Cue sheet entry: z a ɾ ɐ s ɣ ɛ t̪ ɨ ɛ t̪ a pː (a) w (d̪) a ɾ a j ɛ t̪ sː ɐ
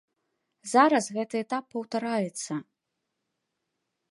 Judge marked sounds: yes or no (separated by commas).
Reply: no, no